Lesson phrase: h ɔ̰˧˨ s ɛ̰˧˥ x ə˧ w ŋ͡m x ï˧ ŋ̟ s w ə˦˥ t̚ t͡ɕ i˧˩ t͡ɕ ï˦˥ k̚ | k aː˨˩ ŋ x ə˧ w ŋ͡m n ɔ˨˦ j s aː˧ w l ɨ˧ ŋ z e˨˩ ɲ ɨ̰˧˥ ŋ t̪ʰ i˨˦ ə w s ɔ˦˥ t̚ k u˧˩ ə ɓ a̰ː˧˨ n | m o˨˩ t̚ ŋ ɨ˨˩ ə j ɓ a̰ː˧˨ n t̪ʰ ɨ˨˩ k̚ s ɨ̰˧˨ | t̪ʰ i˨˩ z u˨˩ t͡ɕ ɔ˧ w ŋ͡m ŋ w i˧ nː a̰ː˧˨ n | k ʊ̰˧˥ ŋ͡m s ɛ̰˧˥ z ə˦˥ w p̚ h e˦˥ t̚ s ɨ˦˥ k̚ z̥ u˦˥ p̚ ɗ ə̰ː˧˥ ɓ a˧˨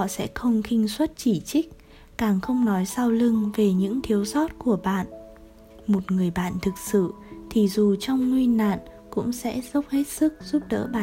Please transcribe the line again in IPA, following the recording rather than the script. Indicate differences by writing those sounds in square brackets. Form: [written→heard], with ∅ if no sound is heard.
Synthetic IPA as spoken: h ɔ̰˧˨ s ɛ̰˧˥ x ə˧ w ŋ͡m x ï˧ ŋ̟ s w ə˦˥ t̚ t͡ɕ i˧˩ t͡ɕ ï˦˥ k̚ | k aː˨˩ ŋ x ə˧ w ŋ͡m n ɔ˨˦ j s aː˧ w l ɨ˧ ŋ [z→v] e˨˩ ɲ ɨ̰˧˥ ŋ t̪ʰ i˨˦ ə w s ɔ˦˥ t̚ k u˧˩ ə ɓ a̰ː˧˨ n | m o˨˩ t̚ ŋ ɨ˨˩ ə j ɓ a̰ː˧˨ n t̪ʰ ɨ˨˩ k̚ s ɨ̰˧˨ | t̪ʰ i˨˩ z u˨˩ t͡ɕ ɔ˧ w ŋ͡m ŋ w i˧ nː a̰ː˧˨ n | k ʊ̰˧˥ ŋ͡m s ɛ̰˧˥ z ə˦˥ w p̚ h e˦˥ t̚ s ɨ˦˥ k̚ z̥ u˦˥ p̚ ɗ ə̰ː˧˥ ɓ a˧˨